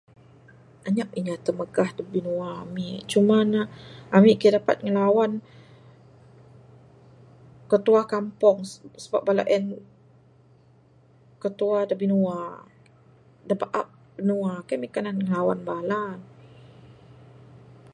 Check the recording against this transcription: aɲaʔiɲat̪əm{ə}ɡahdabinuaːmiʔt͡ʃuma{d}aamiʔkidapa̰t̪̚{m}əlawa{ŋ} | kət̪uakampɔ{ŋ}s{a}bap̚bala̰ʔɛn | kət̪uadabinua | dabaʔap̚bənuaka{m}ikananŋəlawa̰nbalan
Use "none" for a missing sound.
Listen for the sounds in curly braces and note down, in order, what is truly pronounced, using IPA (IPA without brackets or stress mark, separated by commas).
ə, n, ŋ, n, ŋ, ə, m